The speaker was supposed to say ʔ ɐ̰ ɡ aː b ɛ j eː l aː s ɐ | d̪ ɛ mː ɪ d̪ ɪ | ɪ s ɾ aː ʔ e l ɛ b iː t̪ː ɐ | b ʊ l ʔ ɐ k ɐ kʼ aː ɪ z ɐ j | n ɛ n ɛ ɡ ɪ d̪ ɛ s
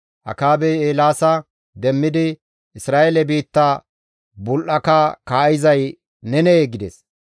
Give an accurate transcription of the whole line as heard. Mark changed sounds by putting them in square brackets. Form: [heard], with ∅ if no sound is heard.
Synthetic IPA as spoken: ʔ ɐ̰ [k] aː b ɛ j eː l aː s ɐ | d̪ ɛ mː ɪ d̪ ɪ | ɪ s ɾ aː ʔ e l ɛ b iː t̪ː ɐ | b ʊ l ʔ ɐ k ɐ [k] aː ɪ z ɐ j | n ɛ n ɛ ɡ ɪ d̪ ɛ s

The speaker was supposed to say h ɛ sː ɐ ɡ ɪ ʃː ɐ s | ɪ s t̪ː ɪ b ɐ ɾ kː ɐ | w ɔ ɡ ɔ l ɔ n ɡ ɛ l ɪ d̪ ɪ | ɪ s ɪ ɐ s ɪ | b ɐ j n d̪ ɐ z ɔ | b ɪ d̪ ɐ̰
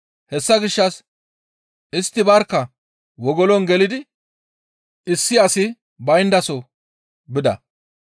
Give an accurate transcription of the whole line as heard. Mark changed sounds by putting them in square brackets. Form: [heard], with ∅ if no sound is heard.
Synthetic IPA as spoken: h ɛ sː ɐ ɡ ɪ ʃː ɐ s | ɪ s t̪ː ɪ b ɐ ɾ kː ɐ | w ɔ ɡ ɔ l ɔ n ɡ ɛ l ɪ d̪ ɪ | ɪ [sː] ɪ ɐ s ɪ | b ɐ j n d̪ ɐ [s] ɔ | b ɪ d̪ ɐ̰

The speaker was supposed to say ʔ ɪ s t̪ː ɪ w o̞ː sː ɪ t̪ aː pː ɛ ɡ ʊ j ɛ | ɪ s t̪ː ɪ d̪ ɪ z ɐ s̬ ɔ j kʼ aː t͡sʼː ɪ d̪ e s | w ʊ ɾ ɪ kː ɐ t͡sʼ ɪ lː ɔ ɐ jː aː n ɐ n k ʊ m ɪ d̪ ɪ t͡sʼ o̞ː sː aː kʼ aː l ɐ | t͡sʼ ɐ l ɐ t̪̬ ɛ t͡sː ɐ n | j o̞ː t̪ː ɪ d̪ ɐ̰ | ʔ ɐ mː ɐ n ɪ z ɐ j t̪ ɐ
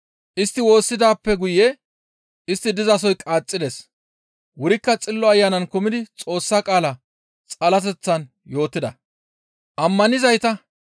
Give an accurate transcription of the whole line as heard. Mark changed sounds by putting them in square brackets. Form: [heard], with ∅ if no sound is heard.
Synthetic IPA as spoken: ʔ ɪ s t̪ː ɪ w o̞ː sː ɪ [d̪] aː pː ɛ ɡ ʊ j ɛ | ɪ s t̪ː ɪ d̪ ɪ z ɐ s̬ ɔ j kʼ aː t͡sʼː ɪ d̪ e s | w ʊ ɾ ɪ kː ɐ t͡sʼ ɪ lː ɔ ɐ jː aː n ɐ n k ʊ m ɪ d̪ ɪ t͡sʼ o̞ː sː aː kʼ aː l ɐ | t͡sʼ ɐ l ɐ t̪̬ ɛ t͡sː ɐ n | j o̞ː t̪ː ɪ d̪ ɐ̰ | ʔ ɐ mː ɐ n ɪ z ɐ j t̪ ɐ

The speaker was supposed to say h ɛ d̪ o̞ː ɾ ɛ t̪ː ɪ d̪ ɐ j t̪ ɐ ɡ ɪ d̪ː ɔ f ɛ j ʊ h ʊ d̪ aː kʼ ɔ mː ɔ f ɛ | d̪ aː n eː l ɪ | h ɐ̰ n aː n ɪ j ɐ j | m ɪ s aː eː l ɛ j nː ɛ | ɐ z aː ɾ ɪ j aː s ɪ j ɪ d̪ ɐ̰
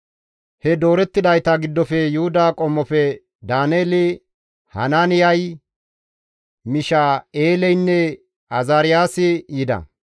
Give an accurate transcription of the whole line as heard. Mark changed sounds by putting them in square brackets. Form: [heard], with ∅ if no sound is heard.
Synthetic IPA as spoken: h ɛ d̪ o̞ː ɾ ɛ t̪ː ɪ d̪ ɐ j t̪ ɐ ɡ ɪ d̪ː ɔ f ɛ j ʊ h ʊ d̪ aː kʼ ɔ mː ɔ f ɛ | d̪ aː n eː l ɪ | h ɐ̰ n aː n ɪ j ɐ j | m ɪ [ʃ] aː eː l ɛ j nː ɛ | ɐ z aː ɾ ɪ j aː s ɪ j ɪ d̪ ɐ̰

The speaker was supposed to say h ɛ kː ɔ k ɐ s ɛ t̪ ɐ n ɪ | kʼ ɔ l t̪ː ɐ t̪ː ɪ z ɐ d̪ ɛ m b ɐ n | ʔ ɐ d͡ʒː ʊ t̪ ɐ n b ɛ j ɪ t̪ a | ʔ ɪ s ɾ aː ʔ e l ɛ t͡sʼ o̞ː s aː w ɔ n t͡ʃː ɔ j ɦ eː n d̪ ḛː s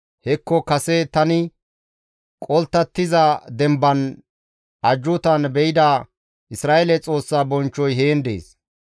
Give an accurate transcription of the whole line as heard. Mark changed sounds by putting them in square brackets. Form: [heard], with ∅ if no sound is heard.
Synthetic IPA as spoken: h ɛ kː ɔ k ɐ s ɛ t̪ ɐ n ɪ | kʼ ɔ l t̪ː ɐ t̪ː ɪ z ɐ d̪ ɛ m b ɐ n | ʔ ɐ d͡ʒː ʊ t̪ ɐ n b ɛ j ɪ [d̪] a | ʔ ɪ s ɾ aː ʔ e l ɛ t͡sʼ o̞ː [sː] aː [b] ɔ n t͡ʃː ɔ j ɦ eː n d̪ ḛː s

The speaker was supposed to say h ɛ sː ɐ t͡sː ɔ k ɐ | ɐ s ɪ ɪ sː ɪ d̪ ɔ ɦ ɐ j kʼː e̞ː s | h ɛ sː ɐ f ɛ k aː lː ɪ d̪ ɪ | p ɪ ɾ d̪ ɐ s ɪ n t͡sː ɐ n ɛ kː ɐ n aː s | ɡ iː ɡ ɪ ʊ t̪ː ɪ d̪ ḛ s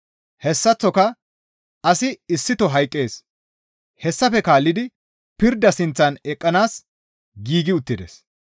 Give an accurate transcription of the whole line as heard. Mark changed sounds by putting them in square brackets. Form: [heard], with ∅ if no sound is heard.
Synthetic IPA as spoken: h ɛ sː ɐ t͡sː ɔ k ɐ | ɐ s ɪ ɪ sː ɪ [t̪] ɔ ɦ ɐ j kʼː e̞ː s | h ɛ sː ɐ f ɛ k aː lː ɪ d̪ ɪ | p ɪ ɾ d̪ ɐ s ɪ n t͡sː ɐ n ɛ [kʼː] ɐ n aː s | ɡ iː ɡ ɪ ʊ t̪ː ɪ d̪ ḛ s

